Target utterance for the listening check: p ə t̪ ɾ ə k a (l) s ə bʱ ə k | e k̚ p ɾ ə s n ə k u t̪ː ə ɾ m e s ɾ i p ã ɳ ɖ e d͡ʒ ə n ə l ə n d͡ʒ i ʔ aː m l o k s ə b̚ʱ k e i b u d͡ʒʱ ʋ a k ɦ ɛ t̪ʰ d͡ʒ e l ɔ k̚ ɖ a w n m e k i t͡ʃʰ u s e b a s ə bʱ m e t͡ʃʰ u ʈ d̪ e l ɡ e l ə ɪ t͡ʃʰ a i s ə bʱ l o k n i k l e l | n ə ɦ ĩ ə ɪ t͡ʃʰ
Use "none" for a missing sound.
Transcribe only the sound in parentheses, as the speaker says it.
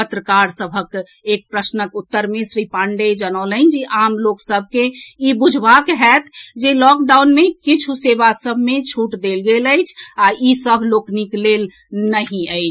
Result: ɾ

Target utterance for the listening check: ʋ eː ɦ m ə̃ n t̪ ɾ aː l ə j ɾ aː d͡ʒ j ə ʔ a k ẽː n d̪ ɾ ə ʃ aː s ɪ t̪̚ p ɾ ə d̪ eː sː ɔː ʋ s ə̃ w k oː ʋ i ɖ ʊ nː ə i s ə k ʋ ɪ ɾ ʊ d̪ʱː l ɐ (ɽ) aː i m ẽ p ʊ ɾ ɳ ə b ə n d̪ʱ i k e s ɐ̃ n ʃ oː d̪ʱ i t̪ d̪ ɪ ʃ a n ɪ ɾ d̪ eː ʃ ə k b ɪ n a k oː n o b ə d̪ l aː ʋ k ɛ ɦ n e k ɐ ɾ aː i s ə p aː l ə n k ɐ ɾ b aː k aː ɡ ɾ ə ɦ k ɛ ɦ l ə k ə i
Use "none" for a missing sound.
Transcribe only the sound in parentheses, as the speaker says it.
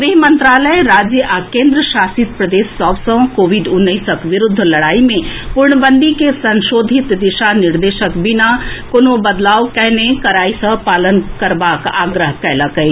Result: ɽ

